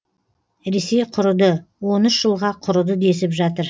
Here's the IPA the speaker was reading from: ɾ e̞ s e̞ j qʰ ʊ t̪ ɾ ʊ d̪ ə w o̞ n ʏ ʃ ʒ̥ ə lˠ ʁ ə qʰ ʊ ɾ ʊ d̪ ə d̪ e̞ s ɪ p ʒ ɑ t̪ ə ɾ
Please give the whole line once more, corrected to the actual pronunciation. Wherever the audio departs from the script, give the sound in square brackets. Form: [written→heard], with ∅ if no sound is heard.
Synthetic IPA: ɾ e̞ s e̞ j qʰ ʊ [t̪→∅] ɾ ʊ d̪ ə w o̞ n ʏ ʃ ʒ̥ ə lˠ ʁ [ə→ɑ] qʰ ʊ ɾ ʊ d̪ ə d̪ e̞ s ɪ p ʒ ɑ t̪ ə ɾ